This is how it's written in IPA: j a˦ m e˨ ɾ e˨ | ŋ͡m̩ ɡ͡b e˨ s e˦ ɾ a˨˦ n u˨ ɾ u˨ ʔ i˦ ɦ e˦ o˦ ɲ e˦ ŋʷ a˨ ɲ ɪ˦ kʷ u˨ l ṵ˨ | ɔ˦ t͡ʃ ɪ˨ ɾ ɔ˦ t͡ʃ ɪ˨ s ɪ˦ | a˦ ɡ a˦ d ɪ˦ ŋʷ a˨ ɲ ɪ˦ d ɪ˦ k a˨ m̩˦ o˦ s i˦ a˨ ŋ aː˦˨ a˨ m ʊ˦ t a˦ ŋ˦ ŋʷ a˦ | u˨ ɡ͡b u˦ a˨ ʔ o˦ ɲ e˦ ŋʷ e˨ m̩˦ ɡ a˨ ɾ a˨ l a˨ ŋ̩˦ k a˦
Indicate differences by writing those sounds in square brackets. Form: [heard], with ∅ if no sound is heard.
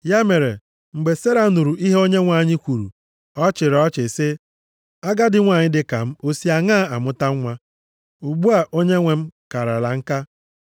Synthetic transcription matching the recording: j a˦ m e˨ ɾ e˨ | ŋ͡m̩ ɡ͡b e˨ s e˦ ɾ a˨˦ n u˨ ɾ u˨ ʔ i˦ ɦ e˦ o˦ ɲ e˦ ŋʷ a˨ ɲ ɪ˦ kʷ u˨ [ɾ] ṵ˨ | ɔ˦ t͡ʃ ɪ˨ ɾ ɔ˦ t͡ʃ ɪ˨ s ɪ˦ | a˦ ɡ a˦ d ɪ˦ ŋʷ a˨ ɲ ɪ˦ d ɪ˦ k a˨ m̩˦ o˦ s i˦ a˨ ŋ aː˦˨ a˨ m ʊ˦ t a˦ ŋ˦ ŋʷ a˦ | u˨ ɡ͡b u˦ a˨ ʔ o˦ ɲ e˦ ŋʷ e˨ m̩˦ [k] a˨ ɾ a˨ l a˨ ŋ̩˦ k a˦